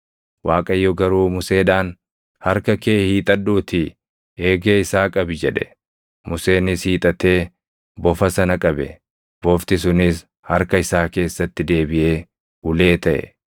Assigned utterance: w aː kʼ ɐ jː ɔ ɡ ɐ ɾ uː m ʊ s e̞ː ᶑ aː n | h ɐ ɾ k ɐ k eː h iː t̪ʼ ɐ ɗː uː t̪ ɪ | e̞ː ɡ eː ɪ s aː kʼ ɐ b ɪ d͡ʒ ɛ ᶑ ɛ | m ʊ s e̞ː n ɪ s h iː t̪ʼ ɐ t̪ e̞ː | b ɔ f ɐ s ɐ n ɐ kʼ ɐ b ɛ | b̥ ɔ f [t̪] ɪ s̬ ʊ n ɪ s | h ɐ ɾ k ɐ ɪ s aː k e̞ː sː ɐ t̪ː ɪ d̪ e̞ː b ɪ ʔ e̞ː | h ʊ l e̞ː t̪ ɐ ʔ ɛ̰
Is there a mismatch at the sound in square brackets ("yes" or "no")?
no